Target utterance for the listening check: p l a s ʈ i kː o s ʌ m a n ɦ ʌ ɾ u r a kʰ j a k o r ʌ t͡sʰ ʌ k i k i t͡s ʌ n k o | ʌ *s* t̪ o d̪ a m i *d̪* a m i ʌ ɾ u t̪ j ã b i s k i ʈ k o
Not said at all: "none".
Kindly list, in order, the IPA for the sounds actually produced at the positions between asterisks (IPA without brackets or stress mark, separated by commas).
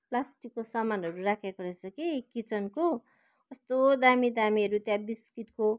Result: s, d̪